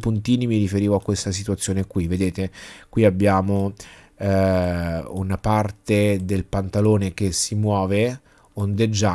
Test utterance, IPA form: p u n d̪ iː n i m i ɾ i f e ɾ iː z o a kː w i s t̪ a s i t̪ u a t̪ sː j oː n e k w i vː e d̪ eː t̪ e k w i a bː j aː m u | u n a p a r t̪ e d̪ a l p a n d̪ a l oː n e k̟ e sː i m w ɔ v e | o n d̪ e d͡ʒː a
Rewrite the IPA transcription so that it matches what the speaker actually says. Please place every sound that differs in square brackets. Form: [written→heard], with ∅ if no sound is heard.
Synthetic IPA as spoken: p u n [d̪→t̪] iː n i m i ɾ i f e ɾ iː [z→v] o a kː w [i→e] s t̪ a s i t̪ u a t̪ sː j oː n e k w i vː e d̪ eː t̪ e k w i a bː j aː m [u→o] | u n a p a r t̪ e d̪ [a→e] l p a n [d̪→t̪] a l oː n e k̟ e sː i m w [ɔ→ɔː] v e | o n d̪ e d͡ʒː a